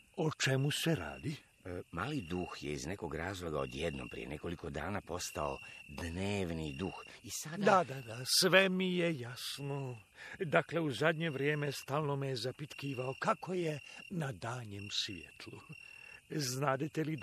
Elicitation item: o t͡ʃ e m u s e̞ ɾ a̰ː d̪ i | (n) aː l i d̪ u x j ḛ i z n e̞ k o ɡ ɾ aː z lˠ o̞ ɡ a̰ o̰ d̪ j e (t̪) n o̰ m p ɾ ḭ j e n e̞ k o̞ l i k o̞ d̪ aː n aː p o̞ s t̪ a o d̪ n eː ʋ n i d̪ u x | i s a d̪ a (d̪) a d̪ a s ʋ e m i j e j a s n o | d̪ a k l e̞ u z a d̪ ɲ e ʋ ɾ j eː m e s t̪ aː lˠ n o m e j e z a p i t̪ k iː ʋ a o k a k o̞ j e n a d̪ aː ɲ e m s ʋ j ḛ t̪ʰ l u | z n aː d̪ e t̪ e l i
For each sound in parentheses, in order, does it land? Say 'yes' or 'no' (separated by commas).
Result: no, no, yes